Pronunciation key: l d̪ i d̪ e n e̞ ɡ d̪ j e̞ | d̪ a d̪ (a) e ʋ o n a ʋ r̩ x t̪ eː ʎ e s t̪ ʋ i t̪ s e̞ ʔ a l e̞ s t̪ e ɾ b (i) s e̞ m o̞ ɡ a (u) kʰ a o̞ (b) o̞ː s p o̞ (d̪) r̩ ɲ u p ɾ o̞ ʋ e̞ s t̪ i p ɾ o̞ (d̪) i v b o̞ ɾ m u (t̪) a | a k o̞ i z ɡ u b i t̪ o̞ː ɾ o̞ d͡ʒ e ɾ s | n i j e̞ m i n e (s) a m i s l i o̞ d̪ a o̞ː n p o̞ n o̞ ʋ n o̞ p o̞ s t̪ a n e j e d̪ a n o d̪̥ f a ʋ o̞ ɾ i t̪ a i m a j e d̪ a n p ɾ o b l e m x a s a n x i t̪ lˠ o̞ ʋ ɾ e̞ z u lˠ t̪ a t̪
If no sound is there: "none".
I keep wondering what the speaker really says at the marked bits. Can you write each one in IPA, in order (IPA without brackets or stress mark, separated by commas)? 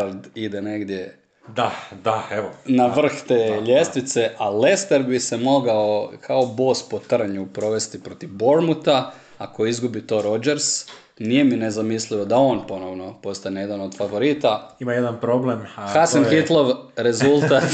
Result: a, i, o, b, t̪, t̪, t̪, z